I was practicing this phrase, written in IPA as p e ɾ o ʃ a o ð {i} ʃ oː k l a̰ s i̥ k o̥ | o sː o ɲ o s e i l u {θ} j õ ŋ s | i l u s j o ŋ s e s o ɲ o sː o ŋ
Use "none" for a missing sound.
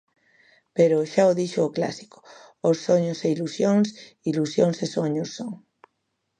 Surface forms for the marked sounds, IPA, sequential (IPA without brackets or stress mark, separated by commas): i, s